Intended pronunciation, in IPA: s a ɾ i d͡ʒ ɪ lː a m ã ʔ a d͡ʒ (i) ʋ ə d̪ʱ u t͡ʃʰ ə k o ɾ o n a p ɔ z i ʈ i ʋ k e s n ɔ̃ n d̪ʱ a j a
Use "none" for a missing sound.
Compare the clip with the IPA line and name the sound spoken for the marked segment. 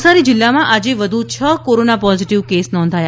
e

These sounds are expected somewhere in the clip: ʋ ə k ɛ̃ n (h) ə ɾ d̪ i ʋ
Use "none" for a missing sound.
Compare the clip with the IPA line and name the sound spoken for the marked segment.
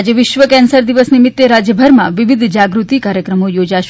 s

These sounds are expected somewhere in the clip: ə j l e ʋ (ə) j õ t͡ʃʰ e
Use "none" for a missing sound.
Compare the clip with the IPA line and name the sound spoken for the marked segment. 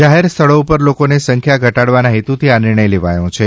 a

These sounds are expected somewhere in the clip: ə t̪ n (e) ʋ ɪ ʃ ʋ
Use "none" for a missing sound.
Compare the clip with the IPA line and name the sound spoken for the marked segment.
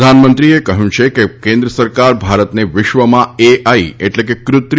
e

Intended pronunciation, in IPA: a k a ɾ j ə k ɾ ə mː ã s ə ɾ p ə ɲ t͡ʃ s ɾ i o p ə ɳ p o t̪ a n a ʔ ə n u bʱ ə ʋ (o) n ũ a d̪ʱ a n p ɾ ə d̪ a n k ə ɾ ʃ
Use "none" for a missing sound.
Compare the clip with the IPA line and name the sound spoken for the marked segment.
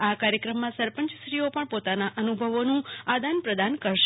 o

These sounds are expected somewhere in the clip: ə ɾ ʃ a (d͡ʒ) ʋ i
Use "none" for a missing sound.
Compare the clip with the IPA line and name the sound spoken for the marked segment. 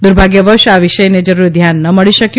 none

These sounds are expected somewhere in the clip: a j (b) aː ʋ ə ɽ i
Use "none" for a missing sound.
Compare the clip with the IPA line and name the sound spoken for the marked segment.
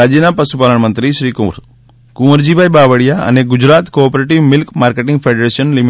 b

